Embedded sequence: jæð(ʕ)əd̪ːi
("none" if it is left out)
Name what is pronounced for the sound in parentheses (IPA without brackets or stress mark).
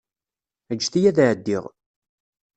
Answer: ʕ